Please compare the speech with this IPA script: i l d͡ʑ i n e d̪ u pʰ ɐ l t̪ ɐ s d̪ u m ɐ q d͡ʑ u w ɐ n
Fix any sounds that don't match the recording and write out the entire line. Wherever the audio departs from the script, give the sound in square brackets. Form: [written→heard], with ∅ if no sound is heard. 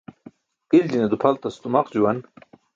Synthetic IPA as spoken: i l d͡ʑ i n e d̪ u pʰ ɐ l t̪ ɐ s [d̪→t̪] u m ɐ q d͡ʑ u w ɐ n